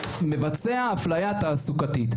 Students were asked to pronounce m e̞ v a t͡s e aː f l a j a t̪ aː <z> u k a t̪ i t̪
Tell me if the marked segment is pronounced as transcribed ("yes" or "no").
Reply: no